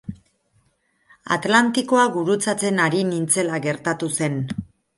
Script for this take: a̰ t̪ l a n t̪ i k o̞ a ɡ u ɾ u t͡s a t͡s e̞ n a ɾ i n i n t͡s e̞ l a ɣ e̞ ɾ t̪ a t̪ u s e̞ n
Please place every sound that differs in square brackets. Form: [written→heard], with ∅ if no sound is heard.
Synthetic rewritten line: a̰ t̪ l a n t̪ i k o̞ a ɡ u ɾ u t͡s a t͡s e̞ n a ɾ i n i n t͡s e̞ l a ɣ e̞ ɾ t̪ a t̪ u s e̞ n